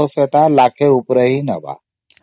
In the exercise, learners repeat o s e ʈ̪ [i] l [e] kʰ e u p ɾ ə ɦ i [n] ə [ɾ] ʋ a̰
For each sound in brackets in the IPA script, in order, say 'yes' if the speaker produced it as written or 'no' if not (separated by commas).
no, no, yes, no